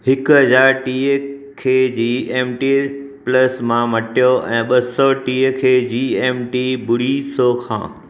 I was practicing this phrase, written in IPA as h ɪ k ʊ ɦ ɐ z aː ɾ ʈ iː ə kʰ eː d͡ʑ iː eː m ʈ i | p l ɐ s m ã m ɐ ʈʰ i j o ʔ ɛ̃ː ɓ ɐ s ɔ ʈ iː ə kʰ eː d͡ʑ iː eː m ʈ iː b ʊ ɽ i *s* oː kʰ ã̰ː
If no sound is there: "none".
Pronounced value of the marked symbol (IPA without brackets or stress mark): s